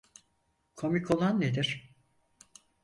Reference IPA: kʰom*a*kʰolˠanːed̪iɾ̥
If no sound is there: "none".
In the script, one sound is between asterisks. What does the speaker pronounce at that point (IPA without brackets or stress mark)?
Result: i